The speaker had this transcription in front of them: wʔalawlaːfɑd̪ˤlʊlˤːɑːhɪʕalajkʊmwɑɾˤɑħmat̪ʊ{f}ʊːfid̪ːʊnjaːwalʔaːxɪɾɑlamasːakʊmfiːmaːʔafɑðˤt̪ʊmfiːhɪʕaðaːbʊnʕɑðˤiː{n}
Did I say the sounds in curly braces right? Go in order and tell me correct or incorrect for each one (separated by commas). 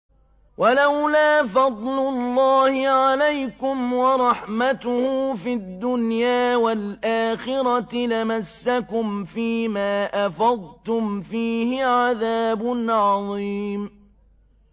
incorrect, incorrect